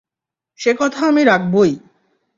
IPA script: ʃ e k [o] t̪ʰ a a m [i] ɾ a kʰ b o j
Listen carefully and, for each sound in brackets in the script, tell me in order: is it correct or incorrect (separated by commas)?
incorrect, correct